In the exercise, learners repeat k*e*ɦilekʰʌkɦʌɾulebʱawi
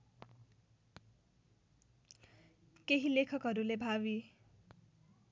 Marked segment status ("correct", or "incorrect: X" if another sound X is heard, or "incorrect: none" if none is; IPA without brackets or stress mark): correct